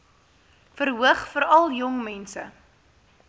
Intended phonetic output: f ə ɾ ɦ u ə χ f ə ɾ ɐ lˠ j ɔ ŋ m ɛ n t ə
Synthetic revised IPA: f ə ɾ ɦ u ə χ f ə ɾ ɐ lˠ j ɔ ŋ m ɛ n s ə

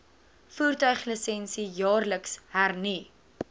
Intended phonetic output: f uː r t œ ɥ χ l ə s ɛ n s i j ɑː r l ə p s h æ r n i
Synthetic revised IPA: f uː r t œ ɥ χ l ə s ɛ n s i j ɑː r l ə k s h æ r n i

